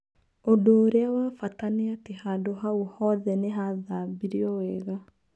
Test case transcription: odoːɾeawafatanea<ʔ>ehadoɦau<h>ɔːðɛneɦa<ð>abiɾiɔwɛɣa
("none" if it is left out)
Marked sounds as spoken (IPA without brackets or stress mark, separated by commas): t, h, ð